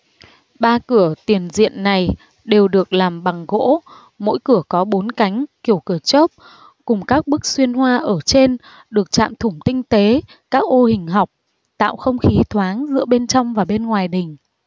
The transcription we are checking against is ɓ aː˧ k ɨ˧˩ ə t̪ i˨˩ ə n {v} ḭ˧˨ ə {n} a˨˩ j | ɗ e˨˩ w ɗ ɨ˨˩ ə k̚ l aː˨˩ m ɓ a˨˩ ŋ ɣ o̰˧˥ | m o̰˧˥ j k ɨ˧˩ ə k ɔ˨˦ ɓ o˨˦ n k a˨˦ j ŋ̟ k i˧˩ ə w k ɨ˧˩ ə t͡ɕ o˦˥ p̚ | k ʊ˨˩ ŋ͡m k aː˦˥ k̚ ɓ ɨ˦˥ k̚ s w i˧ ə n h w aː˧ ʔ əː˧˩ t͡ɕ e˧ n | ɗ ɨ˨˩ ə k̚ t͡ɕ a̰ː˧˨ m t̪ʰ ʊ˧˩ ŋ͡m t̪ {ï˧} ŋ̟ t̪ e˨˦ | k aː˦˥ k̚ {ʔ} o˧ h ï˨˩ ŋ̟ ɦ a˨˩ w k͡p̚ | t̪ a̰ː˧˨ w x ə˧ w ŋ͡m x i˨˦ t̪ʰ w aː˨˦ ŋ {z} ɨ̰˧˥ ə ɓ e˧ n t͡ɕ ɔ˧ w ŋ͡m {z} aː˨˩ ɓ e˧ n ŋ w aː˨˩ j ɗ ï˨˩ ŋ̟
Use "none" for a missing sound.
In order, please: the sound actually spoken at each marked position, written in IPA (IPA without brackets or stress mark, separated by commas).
z, nː, ï˧, ʔ, z, v